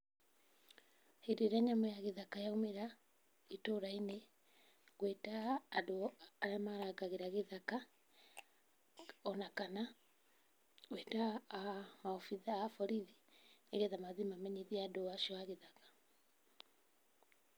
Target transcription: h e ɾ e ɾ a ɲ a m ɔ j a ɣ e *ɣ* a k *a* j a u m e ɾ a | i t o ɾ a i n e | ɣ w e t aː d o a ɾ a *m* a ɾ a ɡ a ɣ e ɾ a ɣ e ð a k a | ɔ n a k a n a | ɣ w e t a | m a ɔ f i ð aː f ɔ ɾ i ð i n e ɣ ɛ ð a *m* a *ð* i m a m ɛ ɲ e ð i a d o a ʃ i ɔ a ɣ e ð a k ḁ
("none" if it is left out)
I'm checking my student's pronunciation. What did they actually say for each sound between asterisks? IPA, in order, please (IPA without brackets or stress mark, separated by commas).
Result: ð, a, m, m, ð